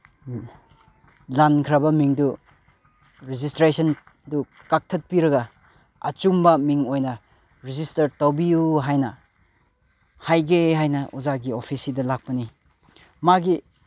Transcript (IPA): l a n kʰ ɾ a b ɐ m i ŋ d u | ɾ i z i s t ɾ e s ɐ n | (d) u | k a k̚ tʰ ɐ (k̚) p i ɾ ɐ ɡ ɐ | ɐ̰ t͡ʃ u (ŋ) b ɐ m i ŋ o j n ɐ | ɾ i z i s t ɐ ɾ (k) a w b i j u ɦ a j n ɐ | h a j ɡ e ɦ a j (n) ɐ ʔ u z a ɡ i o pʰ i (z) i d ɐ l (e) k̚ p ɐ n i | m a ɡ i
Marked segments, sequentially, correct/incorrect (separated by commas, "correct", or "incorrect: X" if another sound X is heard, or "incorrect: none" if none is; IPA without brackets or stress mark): correct, incorrect: t̚, incorrect: m, incorrect: t, correct, incorrect: s, incorrect: a